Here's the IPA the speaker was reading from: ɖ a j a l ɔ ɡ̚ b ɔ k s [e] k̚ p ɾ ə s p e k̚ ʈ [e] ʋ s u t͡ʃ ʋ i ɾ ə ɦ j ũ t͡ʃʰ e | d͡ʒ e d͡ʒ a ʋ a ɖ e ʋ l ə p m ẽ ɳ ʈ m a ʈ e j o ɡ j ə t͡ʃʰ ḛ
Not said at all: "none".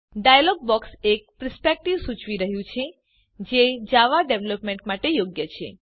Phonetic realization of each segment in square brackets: e, i

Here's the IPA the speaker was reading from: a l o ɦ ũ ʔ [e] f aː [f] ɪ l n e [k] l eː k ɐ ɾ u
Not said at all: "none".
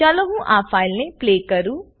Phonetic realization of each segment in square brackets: a, none, p

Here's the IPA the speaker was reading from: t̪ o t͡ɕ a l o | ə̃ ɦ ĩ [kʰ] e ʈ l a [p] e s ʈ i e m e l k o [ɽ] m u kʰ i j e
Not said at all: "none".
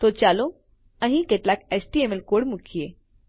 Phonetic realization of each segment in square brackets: k, k, ɽ

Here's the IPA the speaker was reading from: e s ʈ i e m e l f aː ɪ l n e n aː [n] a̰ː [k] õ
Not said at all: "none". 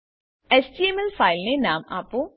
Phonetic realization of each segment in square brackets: m, p

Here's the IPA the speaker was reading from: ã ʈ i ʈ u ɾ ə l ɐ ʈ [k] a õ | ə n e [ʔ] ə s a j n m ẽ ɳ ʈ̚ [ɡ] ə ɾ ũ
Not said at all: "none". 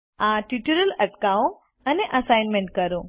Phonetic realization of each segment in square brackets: k, ʔ, k

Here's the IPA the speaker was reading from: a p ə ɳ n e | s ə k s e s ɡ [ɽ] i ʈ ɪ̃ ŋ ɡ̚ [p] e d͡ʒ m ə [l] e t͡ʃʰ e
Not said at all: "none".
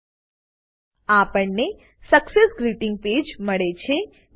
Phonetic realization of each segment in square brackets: ɾ, p, ɭ

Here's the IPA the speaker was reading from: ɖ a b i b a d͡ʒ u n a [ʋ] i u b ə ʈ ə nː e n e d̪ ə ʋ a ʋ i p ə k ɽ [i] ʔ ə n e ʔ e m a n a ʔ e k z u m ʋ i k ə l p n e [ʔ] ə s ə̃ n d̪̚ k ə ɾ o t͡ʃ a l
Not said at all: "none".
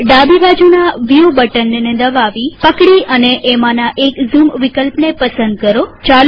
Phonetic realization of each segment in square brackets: ʋ, i, p

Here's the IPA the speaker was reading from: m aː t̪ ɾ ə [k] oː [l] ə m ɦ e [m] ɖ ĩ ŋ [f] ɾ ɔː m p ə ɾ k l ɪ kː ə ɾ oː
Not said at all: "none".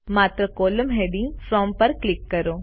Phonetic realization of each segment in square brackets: k, l, none, f

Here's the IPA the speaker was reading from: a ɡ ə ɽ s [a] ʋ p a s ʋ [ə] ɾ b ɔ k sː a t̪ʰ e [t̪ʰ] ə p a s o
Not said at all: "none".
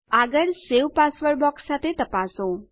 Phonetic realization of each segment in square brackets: e, ə, t̪

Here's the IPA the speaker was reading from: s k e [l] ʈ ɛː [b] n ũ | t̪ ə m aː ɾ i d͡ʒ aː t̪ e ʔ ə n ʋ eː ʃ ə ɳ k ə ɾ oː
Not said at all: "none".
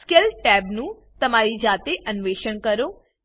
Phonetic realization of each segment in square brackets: l, b

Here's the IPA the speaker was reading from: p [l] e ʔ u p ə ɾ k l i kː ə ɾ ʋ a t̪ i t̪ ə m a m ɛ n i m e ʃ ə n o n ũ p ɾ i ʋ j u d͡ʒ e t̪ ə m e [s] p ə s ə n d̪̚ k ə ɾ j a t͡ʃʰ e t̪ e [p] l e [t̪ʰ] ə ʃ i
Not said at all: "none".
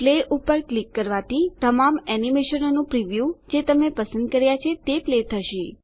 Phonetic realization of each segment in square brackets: l, none, p, t̪ʰ

